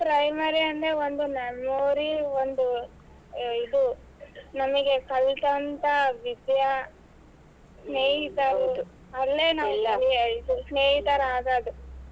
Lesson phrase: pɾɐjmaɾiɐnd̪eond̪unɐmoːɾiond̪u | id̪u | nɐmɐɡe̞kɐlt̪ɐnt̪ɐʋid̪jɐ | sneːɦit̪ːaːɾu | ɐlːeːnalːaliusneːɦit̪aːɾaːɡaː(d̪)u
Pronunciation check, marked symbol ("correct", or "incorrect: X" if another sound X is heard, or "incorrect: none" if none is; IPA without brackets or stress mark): correct